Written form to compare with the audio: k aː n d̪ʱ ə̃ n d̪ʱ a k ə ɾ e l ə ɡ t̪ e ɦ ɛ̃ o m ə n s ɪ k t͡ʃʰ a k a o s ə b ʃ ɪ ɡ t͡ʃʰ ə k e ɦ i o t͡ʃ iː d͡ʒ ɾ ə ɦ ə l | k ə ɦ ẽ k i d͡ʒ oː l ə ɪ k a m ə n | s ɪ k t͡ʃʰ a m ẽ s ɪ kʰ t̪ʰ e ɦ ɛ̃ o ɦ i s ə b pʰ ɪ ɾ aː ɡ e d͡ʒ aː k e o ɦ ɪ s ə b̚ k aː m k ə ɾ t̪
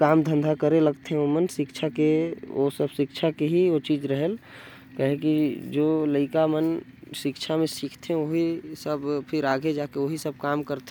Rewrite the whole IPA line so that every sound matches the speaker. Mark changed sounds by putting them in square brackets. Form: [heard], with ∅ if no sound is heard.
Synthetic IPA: k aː [m] d̪ʱ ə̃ n d̪ʱ a k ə ɾ e l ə ɡ t̪ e ɦ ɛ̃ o m ə n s ɪ k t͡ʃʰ a k [e] o s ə b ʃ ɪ [k] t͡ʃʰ [a] k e ɦ i o t͡ʃ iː d͡ʒ ɾ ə ɦ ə l | k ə ɦ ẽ k i d͡ʒ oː l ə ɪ k a m ə n | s ɪ k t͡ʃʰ a m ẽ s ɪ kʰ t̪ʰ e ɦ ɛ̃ o ɦ i s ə b pʰ ɪ ɾ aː ɡ e d͡ʒ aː k e o ɦ [i] s ə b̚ k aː m k ə ɾ t̪